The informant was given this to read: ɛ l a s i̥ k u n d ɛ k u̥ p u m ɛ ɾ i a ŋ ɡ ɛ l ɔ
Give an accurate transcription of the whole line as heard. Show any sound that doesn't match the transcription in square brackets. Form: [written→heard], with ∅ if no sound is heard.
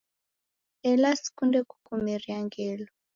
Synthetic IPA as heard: ɛ l a s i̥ k u n d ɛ k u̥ [p→k] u m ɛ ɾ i a ŋ ɡ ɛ l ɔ